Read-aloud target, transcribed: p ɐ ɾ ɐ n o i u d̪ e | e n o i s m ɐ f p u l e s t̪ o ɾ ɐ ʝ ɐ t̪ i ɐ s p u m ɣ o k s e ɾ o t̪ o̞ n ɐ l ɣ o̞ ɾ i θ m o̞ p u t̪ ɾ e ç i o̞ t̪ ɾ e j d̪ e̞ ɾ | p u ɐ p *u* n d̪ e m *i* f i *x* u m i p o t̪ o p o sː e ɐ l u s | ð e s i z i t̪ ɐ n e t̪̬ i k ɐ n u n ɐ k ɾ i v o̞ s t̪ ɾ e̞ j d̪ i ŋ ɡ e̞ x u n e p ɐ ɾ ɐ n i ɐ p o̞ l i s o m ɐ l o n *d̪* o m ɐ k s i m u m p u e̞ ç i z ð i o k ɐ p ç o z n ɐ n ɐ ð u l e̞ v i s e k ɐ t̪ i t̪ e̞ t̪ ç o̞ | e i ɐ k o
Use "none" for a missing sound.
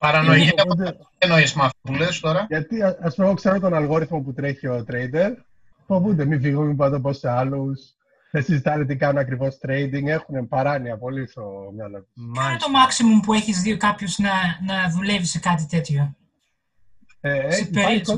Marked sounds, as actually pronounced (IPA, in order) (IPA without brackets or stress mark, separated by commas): u, i, ɣ, t̪